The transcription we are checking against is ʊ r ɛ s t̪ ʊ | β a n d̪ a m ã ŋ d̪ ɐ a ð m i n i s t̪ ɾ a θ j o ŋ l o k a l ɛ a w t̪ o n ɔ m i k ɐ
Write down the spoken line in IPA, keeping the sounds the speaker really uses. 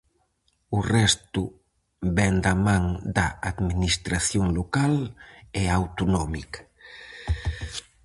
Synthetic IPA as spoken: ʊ r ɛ s t̪ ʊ | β ɛ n d̪ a m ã ŋ d̪ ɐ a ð m i n i s t̪ ɾ a θ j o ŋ l o k a l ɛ a w t̪ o n ɔ m i k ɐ